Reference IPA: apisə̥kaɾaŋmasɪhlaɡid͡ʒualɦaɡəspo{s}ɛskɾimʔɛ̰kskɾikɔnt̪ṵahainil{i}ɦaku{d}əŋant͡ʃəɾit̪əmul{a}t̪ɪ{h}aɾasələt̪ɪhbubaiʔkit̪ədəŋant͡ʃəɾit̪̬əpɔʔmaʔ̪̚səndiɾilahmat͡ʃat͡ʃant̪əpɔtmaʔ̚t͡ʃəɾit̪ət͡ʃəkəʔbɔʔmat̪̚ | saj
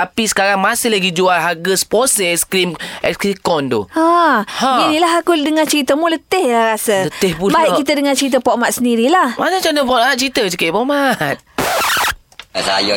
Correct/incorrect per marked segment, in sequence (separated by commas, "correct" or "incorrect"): correct, incorrect, correct, incorrect, correct